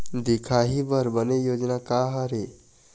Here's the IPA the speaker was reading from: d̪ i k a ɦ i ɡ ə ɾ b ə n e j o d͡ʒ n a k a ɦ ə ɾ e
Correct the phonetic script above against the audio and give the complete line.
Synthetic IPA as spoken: d̪ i kʰ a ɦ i b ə ɾ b ə n e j o d͡ʒ n a k a ɦ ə ɾ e